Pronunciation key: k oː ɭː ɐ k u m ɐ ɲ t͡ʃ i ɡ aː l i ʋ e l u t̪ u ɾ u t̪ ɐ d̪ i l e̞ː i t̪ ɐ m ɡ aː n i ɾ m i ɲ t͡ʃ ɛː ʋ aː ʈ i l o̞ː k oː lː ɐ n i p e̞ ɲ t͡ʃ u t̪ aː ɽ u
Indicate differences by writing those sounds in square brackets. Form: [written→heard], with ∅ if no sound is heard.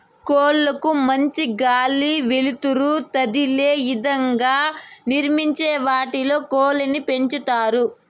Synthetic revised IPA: k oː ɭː ɐ k u m ɐ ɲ t͡ʃ i ɡ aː l i ʋ e l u t̪ u ɾ u t̪ ɐ d̪ i l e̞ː i [t̪→d̪] ɐ [m→ŋ] ɡ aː n i ɾ m i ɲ t͡ʃ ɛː ʋ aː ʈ i l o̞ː k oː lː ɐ n i p e̞ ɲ t͡ʃ u t̪ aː [ɽ→ɾ] u